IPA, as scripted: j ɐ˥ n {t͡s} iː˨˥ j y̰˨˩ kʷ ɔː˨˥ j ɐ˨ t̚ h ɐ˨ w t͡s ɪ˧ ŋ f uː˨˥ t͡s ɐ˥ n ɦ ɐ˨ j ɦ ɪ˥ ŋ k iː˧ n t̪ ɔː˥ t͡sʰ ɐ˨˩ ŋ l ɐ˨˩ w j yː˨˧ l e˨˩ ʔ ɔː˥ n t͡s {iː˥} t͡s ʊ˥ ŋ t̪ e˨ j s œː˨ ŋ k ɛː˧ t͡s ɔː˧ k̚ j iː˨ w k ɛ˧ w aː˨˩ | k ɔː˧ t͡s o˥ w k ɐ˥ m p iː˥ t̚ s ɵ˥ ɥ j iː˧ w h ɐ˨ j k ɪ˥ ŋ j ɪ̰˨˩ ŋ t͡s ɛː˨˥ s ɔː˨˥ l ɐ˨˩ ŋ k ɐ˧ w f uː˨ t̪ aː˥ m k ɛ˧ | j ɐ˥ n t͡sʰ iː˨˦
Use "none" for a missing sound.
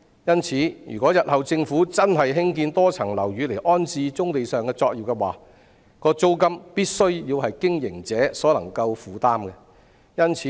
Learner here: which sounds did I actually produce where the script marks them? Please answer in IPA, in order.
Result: t͡sʰ, iː˧

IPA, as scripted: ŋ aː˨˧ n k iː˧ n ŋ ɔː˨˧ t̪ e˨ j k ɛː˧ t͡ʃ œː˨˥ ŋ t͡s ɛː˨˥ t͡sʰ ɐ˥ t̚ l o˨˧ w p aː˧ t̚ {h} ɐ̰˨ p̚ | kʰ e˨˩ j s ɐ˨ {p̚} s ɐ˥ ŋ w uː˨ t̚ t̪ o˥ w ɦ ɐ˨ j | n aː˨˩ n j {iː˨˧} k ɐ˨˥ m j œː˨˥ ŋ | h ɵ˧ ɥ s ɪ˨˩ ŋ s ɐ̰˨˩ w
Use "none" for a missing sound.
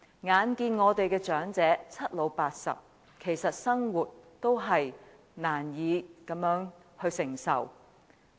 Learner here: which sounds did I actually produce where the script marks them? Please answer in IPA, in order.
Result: s, t̚, iː˨˧

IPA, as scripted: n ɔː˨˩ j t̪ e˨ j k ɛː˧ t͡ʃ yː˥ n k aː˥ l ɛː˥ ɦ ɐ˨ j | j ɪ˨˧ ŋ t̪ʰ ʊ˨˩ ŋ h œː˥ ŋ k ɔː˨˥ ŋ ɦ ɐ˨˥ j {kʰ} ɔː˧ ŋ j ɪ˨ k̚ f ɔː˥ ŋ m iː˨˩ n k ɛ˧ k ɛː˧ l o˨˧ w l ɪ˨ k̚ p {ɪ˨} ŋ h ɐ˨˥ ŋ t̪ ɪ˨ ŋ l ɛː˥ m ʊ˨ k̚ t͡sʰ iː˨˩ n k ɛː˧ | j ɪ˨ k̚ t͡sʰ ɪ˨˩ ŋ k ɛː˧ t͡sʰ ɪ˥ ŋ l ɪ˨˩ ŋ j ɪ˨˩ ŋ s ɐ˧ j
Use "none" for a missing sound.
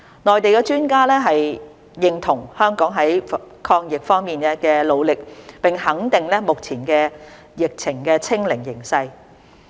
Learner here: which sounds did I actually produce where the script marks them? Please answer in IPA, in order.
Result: kʰ, ɪ˨

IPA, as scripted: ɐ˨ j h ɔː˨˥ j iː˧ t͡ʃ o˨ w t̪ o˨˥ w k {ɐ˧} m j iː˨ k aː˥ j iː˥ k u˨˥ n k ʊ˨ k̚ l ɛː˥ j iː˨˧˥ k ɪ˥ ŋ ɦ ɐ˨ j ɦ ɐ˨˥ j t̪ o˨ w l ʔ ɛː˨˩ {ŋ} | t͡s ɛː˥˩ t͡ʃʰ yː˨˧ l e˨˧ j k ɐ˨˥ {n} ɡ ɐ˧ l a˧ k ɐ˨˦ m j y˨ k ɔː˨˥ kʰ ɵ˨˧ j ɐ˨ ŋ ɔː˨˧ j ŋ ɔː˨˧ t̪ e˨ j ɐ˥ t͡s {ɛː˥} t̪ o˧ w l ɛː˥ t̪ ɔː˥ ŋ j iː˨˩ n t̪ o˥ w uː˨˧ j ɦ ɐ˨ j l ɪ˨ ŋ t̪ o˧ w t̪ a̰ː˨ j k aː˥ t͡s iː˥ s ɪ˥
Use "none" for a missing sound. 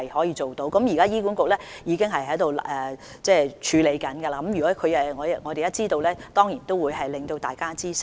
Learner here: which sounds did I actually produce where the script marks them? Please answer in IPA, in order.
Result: ɐ˨˥, none, n, iː˥

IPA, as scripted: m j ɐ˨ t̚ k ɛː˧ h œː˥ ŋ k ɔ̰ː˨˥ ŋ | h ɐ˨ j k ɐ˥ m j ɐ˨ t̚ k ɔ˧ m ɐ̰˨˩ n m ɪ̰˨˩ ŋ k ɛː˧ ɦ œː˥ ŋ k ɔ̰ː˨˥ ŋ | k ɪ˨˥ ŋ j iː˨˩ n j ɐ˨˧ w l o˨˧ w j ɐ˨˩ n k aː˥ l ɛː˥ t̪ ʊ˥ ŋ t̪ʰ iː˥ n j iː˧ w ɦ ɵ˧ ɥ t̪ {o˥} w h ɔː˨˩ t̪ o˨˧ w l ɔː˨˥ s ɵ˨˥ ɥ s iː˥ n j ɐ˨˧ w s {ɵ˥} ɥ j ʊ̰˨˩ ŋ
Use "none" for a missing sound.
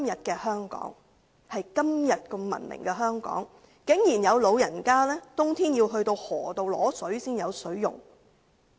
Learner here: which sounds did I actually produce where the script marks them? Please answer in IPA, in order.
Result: o˧, ɵ˨˥

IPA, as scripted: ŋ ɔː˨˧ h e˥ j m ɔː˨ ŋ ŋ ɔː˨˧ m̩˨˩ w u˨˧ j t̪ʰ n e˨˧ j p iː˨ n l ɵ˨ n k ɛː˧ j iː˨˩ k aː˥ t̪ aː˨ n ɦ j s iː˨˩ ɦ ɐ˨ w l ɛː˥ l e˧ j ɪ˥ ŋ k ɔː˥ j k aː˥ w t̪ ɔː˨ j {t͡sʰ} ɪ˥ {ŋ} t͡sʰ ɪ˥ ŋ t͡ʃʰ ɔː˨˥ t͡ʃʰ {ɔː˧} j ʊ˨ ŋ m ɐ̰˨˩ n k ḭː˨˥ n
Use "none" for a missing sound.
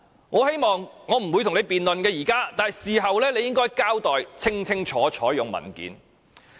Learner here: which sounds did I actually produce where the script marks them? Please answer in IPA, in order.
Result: t͡sʰ, ŋ, ɔː˨˥

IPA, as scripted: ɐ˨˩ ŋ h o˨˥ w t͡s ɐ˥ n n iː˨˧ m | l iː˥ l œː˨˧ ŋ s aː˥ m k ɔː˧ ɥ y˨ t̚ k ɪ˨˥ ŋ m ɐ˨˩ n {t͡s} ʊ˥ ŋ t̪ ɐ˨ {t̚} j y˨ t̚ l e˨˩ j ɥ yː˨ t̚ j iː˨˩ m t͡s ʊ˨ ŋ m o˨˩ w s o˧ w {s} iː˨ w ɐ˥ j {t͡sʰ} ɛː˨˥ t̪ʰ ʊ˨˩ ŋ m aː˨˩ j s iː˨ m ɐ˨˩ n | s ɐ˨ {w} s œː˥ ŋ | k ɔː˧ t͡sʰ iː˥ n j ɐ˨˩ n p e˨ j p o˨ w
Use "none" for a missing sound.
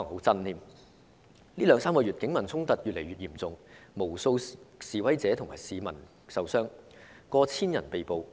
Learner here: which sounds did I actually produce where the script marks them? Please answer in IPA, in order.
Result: t͡sʰ, t̚, s, t͡s, w

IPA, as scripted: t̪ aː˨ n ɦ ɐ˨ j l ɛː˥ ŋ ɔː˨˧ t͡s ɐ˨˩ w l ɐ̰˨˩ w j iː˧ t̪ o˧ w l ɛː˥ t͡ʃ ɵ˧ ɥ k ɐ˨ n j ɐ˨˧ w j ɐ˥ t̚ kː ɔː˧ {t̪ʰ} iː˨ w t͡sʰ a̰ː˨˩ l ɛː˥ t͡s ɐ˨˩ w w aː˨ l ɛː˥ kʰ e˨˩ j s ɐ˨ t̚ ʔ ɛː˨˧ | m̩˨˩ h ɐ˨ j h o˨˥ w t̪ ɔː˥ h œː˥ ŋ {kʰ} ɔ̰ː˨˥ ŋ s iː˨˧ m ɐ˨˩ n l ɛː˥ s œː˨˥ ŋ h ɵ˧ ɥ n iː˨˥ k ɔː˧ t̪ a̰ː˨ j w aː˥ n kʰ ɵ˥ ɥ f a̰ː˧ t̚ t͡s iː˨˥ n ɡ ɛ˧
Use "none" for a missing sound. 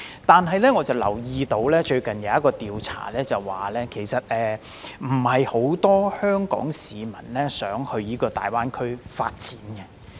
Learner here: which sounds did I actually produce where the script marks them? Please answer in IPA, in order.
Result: t̪, k

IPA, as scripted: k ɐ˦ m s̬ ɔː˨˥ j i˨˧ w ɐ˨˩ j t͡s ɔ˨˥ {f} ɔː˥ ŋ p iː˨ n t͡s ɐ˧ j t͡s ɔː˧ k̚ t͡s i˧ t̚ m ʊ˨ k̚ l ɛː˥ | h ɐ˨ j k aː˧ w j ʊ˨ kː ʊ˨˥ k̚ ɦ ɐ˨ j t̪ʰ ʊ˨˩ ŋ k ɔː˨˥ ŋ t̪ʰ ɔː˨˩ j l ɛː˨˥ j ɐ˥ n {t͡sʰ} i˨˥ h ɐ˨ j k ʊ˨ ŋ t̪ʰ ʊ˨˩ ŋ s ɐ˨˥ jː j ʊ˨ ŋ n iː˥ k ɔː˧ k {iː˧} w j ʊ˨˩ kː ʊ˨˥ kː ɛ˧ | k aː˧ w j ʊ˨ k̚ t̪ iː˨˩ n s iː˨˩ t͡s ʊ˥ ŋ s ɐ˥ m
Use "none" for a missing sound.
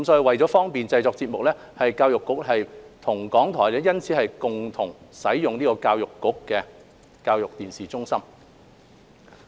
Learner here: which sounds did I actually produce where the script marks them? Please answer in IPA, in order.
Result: f, t͡sʰ, aː˧

